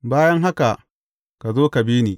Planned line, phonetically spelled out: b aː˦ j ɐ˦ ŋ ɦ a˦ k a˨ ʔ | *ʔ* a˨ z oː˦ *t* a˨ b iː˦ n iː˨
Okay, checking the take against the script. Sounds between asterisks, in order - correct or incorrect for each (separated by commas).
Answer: incorrect, incorrect